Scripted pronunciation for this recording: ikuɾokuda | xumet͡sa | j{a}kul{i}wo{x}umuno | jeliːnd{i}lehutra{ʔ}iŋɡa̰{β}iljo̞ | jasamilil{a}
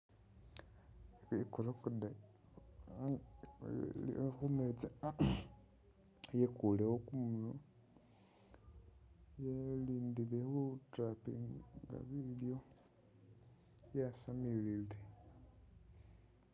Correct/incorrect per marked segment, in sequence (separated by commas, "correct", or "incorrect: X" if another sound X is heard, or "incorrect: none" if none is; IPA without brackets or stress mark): incorrect: e, incorrect: e, incorrect: k, correct, incorrect: p, correct, incorrect: e